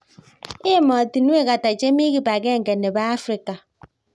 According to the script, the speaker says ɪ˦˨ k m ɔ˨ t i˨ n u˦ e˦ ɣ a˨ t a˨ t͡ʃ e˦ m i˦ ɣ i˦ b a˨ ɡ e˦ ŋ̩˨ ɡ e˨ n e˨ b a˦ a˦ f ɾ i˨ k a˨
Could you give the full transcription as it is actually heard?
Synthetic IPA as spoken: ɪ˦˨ m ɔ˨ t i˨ n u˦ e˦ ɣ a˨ t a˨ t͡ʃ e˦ m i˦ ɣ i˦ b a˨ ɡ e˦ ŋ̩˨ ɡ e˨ n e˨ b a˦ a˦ f ɾ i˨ k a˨